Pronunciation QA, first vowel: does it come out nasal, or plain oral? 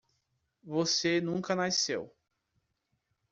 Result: oral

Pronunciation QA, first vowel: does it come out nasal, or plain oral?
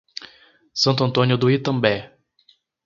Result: nasal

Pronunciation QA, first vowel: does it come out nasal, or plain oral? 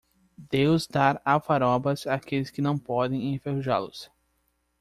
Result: oral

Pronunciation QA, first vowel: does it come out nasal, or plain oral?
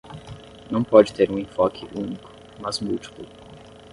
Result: nasal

